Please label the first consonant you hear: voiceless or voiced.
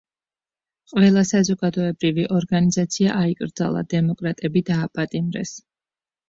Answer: voiceless